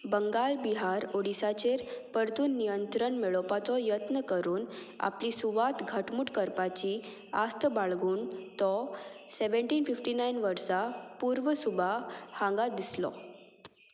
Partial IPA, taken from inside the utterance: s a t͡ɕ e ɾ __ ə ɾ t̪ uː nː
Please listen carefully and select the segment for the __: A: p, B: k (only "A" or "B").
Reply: A